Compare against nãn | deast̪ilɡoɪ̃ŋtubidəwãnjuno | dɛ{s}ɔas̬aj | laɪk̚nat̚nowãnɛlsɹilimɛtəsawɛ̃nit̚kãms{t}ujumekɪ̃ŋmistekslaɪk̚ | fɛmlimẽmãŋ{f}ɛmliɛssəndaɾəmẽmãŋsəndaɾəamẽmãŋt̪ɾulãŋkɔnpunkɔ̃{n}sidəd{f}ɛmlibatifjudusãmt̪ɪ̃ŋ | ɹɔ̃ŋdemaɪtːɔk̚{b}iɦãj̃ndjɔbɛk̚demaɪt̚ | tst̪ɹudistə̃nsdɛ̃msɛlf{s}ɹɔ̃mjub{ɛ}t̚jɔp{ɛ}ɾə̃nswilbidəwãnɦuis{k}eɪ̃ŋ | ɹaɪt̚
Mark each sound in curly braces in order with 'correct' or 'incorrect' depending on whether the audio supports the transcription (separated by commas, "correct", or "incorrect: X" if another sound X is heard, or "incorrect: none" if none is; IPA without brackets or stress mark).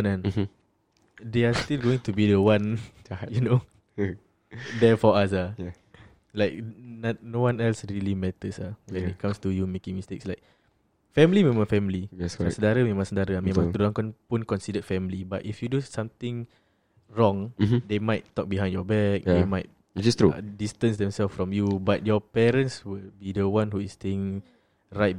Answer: incorrect: f, correct, correct, correct, correct, correct, incorrect: f, incorrect: a, correct, incorrect: t